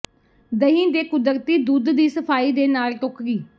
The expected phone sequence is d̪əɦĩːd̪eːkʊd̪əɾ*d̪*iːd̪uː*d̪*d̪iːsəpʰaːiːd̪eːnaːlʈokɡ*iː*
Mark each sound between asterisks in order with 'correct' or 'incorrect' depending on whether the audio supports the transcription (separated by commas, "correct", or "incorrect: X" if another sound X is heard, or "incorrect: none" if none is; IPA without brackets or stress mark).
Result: incorrect: t̪, correct, correct